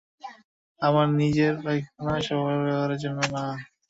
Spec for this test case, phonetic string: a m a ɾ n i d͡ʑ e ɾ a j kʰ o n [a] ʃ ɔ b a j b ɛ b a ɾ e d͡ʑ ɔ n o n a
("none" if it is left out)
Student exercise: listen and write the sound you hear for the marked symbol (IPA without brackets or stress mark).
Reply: a